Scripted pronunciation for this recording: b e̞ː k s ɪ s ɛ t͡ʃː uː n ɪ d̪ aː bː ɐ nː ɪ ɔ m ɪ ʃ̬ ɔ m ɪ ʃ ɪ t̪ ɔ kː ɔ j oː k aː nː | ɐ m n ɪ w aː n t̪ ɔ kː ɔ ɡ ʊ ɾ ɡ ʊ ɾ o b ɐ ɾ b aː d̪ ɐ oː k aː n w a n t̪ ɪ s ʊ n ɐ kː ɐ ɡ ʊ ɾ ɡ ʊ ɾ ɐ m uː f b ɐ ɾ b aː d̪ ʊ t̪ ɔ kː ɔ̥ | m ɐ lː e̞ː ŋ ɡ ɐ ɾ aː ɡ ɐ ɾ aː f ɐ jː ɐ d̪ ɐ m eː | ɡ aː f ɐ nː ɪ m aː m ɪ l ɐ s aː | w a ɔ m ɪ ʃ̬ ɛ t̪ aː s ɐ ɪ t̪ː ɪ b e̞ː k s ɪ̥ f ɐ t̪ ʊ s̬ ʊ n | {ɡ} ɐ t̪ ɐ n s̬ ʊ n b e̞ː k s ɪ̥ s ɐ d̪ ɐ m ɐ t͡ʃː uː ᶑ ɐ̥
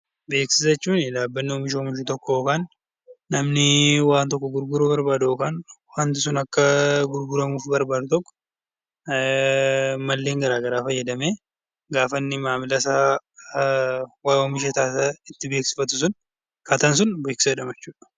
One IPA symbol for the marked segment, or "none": k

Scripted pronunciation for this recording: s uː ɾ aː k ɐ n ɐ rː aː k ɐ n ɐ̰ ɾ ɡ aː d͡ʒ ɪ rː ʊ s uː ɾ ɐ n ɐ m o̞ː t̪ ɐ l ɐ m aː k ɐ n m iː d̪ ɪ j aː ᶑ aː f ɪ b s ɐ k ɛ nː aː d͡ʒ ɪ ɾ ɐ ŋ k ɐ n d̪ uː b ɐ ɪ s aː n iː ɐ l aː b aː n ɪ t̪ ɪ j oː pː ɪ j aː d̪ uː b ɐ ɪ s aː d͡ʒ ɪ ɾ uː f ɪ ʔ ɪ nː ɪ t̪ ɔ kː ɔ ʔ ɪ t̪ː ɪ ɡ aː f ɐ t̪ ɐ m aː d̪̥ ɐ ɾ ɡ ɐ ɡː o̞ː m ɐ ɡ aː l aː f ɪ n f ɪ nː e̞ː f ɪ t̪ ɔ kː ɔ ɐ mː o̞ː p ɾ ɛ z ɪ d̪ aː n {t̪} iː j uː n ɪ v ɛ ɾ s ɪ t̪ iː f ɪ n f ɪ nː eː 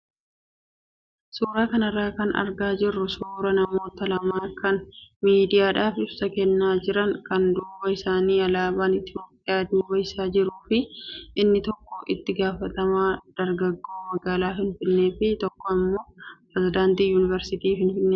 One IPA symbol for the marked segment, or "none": t̪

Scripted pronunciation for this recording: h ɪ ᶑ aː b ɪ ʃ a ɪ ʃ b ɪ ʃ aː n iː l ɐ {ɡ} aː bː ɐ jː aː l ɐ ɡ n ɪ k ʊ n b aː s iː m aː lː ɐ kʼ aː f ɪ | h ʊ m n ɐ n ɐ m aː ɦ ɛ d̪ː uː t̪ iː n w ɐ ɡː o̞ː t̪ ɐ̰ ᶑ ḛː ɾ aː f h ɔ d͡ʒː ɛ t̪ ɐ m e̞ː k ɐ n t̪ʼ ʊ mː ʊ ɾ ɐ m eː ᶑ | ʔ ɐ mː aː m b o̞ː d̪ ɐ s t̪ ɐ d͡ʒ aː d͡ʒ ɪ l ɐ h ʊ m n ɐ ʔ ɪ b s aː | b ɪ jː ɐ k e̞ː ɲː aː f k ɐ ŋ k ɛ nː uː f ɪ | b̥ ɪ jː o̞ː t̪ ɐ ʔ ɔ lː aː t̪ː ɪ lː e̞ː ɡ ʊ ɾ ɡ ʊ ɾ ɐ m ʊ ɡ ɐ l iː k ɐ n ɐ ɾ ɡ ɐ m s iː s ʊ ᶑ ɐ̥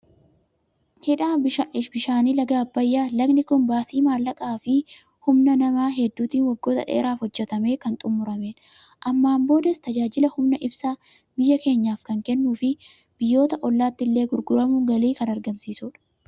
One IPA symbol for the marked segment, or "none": ɡ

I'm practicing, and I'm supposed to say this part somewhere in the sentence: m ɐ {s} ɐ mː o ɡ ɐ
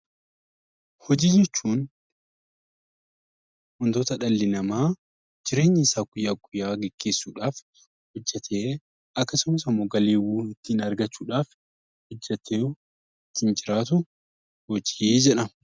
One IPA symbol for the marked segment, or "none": s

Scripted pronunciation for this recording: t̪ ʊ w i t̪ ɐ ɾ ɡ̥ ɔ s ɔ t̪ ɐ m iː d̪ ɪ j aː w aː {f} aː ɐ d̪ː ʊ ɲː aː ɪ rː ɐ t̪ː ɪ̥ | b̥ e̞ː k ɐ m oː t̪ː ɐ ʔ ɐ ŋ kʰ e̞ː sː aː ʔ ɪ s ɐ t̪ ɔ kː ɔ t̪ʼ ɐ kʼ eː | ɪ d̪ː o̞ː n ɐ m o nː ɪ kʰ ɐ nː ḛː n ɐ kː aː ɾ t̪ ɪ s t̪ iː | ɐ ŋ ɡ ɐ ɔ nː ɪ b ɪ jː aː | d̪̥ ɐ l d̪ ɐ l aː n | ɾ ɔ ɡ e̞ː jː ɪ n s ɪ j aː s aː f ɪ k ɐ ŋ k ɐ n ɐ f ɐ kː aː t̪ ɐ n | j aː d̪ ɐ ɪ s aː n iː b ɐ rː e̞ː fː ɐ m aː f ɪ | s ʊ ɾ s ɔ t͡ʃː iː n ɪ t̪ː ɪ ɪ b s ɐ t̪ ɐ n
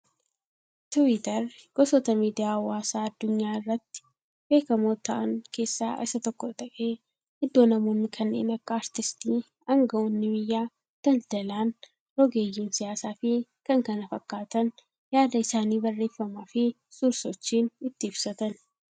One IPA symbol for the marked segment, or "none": s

